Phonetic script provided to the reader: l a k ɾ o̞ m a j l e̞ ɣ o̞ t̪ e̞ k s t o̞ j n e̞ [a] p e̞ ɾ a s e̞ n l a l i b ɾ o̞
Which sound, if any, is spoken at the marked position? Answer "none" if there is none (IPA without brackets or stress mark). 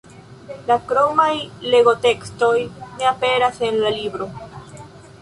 a